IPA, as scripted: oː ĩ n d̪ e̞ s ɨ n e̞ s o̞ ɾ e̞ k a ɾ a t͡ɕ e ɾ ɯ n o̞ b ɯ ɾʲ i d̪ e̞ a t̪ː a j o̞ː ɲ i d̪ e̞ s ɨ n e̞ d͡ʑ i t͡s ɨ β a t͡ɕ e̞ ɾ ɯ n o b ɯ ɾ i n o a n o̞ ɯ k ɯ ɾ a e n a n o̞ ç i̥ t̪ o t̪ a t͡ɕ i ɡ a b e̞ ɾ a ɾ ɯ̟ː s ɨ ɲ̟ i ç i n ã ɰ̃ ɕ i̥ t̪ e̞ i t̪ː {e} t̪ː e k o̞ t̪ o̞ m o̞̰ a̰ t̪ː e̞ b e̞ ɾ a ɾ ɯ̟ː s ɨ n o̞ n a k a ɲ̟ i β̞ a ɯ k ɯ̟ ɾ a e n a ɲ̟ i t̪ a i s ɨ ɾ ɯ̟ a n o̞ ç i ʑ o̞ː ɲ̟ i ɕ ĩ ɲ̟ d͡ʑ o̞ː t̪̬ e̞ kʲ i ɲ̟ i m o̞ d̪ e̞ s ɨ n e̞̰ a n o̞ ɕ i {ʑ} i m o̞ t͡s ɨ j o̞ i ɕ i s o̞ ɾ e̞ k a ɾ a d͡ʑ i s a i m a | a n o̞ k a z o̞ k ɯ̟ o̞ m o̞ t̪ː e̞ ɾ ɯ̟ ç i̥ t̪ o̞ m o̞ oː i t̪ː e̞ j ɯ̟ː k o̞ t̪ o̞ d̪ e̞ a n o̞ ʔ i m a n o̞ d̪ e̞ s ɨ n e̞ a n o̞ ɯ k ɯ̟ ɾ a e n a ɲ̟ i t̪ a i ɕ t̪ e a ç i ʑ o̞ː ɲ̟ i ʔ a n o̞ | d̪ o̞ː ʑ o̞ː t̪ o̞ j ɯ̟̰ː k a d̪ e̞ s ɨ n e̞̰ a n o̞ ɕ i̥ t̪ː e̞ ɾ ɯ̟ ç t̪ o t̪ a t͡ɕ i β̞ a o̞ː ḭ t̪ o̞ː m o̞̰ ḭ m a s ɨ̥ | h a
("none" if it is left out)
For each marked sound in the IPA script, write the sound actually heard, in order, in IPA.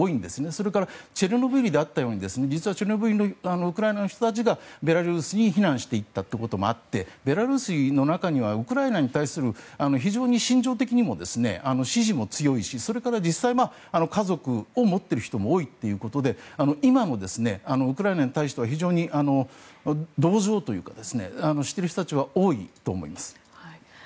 a, ʑ

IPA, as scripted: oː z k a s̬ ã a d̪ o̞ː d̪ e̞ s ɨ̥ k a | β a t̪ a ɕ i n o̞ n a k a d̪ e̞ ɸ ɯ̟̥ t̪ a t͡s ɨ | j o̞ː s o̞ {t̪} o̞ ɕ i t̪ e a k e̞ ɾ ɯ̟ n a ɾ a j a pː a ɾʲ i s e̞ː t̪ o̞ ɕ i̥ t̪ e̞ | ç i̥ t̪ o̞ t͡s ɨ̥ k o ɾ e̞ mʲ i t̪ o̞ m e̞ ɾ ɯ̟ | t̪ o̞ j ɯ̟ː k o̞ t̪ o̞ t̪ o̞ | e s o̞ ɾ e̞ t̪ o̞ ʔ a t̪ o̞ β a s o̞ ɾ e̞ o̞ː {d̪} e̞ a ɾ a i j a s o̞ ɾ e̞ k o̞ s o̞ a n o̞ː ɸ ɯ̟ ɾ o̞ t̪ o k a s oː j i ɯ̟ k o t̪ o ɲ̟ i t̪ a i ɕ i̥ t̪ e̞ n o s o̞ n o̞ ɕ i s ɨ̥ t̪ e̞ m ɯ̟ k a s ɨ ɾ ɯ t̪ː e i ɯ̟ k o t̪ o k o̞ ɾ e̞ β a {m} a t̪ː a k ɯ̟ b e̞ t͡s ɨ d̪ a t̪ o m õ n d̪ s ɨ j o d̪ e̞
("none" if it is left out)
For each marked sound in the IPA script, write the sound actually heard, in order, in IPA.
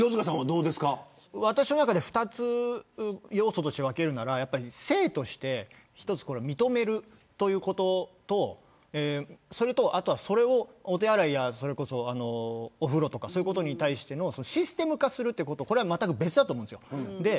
t̪, t̪, m

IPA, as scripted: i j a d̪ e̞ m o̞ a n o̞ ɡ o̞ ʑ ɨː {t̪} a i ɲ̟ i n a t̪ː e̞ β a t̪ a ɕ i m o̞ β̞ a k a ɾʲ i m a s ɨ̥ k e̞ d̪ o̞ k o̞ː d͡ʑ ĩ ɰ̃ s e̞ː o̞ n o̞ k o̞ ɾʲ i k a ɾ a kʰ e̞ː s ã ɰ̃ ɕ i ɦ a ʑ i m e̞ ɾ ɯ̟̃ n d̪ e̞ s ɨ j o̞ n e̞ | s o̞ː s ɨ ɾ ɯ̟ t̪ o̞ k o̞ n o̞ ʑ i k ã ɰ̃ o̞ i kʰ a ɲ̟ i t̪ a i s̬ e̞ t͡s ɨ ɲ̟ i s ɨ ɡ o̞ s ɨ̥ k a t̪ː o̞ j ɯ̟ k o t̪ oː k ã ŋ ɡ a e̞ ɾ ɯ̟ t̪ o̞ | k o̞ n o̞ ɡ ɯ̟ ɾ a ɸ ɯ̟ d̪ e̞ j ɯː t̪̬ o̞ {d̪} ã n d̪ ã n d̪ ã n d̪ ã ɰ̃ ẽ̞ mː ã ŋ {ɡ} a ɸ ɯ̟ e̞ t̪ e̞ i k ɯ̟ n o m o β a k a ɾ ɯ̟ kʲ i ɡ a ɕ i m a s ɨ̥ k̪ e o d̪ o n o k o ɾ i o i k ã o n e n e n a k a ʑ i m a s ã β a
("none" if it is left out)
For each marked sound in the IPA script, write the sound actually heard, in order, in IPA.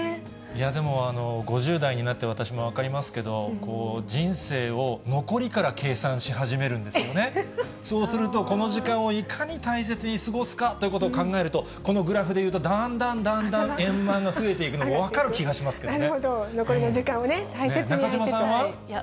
d̪, d̪, ɡ

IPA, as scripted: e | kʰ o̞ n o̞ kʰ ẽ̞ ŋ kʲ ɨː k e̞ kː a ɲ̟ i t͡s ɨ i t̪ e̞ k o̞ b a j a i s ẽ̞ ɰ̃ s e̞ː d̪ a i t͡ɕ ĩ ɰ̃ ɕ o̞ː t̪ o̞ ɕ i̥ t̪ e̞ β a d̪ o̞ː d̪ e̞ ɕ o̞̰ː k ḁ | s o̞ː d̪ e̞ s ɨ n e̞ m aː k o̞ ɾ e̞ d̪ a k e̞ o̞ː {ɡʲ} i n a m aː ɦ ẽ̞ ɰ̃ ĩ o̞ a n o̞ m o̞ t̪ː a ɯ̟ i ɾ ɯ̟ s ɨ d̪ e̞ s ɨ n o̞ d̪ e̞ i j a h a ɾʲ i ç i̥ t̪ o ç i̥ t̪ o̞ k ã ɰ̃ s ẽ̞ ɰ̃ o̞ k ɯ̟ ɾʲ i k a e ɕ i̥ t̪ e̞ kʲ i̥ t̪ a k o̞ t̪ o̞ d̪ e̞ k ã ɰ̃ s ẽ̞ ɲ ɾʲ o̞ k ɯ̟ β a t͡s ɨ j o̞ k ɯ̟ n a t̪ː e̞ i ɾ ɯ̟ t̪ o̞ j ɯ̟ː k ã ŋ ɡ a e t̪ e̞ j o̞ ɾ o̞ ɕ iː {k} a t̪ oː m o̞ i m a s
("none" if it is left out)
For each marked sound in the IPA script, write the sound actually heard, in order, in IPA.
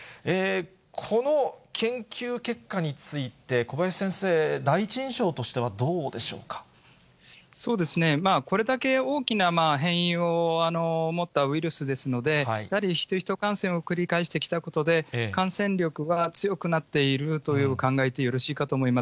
kʲ, k

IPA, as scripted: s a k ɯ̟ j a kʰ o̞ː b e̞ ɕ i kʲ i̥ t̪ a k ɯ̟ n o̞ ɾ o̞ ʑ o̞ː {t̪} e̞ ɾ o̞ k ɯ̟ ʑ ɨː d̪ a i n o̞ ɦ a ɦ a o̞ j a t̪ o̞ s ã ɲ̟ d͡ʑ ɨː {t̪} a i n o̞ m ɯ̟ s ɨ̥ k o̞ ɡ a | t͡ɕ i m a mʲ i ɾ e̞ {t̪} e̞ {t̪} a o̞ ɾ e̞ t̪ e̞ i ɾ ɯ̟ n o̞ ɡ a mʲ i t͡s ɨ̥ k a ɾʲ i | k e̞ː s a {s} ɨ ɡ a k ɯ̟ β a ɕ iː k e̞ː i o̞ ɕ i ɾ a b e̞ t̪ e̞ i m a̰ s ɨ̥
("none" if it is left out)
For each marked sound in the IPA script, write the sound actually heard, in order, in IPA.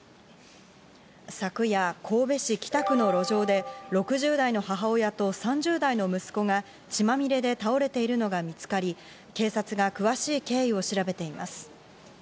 d̪, d̪, d̪, t̪, t͡s

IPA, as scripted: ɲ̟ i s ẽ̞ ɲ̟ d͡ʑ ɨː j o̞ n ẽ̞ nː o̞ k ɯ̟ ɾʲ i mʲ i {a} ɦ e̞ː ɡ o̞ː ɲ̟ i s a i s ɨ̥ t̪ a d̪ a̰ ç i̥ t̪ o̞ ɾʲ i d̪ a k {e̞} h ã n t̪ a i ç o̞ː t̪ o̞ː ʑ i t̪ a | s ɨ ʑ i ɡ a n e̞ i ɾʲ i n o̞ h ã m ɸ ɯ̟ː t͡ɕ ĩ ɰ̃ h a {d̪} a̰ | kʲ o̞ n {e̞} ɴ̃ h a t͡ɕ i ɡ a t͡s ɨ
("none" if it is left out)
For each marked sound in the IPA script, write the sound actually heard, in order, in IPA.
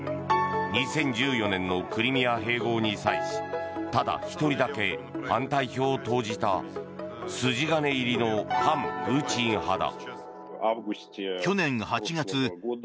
a, e̞, d̪, ẽ̞

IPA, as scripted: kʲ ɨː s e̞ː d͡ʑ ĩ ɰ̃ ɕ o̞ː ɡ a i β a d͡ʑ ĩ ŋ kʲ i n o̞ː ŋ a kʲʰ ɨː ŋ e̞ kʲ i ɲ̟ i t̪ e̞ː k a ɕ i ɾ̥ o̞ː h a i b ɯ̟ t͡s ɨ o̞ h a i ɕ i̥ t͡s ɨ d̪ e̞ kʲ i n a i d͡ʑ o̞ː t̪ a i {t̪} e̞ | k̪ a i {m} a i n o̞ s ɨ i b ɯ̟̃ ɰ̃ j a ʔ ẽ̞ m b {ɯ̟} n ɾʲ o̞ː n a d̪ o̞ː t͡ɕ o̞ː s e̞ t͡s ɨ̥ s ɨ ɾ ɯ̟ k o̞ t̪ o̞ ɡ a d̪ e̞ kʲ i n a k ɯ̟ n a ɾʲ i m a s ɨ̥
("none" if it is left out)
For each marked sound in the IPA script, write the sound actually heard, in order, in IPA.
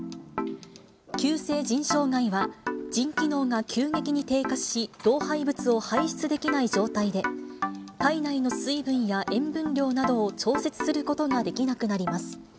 d̪, n, ɯ̟̃

